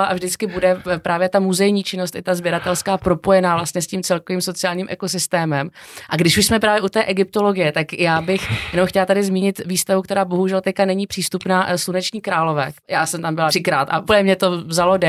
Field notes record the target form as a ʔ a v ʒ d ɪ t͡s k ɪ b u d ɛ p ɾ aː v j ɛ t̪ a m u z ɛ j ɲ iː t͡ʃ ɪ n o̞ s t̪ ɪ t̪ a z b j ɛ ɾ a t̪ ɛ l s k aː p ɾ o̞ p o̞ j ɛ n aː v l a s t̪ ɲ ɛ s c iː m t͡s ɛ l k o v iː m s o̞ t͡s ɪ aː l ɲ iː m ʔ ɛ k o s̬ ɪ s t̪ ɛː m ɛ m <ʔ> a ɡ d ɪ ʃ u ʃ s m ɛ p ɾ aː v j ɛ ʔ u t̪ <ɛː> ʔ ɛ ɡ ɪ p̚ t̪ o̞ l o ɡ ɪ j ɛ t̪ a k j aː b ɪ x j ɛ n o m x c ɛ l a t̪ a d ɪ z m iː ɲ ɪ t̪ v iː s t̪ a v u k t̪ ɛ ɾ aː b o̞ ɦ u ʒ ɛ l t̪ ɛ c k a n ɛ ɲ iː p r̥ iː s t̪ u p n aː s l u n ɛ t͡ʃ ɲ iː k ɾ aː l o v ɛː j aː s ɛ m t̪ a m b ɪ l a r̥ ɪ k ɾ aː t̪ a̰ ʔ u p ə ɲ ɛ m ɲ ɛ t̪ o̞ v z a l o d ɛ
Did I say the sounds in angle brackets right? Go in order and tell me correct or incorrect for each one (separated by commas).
correct, correct